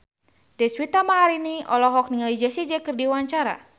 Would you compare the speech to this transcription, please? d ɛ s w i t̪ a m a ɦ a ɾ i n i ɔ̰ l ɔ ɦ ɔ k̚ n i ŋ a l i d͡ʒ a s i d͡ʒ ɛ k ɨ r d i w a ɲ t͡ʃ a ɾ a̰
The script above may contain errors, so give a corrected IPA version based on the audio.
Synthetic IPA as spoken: d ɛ s w i t̪ a m a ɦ a ɾ i n i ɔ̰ l ɔ ɦ ɔ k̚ n i ŋ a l i d͡ʒ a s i d͡ʒ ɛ k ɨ r d i w a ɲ t͡ʃ a ɾ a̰